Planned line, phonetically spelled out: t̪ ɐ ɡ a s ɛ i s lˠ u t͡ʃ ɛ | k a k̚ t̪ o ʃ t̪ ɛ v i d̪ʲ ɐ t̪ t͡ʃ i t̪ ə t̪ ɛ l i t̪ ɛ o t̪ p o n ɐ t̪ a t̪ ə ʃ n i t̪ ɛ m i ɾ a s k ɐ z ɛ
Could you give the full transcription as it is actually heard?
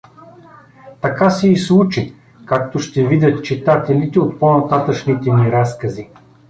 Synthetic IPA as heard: t̪ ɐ k a s ɛ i s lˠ u t͡ʃ i | k a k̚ t̪ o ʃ t̪ ɛ v i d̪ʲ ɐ t̪ t͡ʃ i t̪ a t̪ ɛ l i t̪ ɛ o t̪ p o n ɐ t̪ a t̪ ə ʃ n i t̪ ɛ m i ɾ a s k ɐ z i